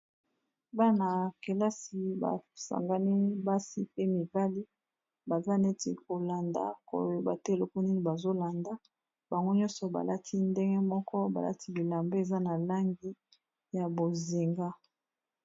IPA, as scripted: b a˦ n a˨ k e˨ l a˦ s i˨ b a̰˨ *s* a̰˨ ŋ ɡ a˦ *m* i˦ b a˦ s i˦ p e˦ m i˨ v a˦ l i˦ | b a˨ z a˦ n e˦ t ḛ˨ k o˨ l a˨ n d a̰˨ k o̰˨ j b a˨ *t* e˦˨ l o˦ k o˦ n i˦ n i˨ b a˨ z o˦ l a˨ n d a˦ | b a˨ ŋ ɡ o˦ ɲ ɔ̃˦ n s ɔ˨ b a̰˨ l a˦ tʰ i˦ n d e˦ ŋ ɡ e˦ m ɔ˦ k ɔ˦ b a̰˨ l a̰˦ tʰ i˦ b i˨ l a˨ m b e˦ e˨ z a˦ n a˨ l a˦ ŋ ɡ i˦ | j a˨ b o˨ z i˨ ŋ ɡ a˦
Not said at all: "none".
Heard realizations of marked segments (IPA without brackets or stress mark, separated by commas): s, n, t